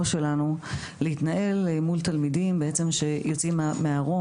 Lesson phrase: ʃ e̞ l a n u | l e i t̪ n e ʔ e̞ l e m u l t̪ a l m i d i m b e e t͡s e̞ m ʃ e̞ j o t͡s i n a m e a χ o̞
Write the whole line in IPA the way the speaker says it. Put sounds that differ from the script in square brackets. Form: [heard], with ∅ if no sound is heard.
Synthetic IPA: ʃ e̞ l a n u | l e i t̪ n [a] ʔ e̞ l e m u l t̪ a l m i d i m b e e t͡s e̞ m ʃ e̞ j o t͡s i [m] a m e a [ʁ] o̞